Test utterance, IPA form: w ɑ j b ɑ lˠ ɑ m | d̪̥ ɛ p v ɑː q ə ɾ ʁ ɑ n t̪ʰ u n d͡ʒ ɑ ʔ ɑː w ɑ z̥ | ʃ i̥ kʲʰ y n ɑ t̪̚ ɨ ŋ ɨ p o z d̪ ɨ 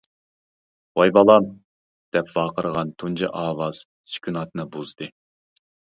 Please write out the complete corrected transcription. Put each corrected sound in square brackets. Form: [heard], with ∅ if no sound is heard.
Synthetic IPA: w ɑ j b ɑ lˠ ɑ m | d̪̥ ɛ p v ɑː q ə ɾ ʁ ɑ n t̪ʰ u n d͡ʒ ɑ ʔ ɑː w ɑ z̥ | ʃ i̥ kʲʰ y n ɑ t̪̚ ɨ [n] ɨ [b] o z d̪ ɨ